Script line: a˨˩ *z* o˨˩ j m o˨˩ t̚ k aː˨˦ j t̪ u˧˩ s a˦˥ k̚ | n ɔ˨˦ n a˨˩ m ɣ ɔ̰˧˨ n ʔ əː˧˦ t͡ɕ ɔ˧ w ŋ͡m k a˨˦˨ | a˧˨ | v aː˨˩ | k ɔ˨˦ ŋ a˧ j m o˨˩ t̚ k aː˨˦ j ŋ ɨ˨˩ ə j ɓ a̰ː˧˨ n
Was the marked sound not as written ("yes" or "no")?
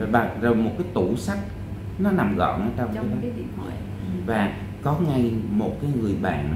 no